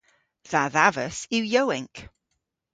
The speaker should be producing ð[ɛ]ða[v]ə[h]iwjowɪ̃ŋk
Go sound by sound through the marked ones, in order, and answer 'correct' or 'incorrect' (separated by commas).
incorrect, correct, incorrect